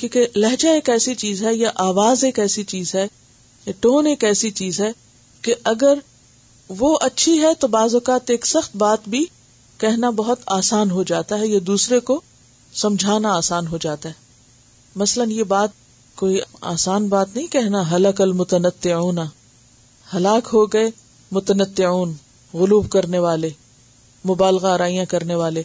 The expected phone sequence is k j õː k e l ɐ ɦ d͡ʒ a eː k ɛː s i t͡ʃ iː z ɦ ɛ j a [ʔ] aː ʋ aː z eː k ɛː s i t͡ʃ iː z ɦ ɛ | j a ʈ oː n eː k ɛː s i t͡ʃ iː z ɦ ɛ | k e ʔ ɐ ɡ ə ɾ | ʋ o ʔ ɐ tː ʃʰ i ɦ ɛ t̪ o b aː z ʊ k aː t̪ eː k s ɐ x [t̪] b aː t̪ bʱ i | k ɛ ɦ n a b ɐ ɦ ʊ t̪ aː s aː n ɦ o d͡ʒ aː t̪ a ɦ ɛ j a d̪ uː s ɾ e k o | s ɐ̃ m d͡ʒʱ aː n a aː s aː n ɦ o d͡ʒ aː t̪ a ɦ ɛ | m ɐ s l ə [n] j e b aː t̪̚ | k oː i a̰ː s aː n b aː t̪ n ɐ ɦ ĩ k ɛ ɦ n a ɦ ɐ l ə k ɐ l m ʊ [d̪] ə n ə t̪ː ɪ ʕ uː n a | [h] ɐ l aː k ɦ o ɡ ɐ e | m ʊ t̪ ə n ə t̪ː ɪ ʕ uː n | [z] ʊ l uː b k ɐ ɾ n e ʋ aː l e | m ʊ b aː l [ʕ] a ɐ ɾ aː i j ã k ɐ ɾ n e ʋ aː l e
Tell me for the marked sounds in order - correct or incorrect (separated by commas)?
correct, correct, correct, incorrect, correct, incorrect, incorrect